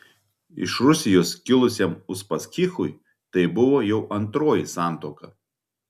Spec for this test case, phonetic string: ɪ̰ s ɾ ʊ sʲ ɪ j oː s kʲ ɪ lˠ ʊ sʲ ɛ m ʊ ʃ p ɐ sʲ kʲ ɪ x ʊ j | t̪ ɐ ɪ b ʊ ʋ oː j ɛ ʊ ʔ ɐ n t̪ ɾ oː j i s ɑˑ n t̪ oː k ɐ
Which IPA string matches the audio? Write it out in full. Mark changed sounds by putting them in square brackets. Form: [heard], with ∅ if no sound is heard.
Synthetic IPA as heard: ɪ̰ [ʃ] ɾ ʊ sʲ ɪ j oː s kʲ ɪ lˠ ʊ sʲ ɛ m ʊ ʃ p ɐ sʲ kʲ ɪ x ʊ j | t̪ ɐ ɪ b ʊ ʋ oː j ɛ ʊ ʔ ɐ n t̪ ɾ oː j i s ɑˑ n t̪ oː k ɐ